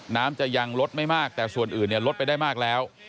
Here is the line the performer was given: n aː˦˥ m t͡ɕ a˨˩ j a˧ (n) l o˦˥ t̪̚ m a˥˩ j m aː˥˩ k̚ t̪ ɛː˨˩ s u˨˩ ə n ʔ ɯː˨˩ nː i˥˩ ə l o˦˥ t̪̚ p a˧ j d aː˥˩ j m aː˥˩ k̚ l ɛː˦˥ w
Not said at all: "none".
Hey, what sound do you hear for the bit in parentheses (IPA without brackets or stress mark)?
ŋ